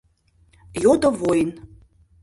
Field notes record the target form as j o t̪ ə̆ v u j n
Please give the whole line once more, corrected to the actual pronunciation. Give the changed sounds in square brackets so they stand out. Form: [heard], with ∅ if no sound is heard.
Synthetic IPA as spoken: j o [d̪] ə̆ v [o] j n